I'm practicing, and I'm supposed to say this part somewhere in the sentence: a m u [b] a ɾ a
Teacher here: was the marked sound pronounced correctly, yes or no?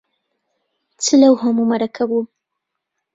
no